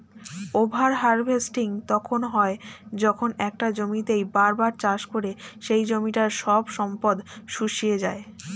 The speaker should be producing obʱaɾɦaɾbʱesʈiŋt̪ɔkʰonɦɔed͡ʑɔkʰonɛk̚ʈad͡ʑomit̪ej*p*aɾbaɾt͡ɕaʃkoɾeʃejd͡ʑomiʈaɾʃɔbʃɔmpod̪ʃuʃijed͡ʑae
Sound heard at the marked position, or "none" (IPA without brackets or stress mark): b